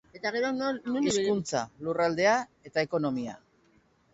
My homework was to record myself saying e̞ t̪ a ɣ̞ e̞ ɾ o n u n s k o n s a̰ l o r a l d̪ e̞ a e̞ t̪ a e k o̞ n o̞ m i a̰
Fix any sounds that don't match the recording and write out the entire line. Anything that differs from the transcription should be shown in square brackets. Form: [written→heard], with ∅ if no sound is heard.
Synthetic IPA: e̞ t̪ a ɣ̞ e̞ ɾ o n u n s k [o→u] n [s→t͡s] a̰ l [o→u] r a l d̪ e̞ a e̞ t̪ a e k o̞ n o̞ m i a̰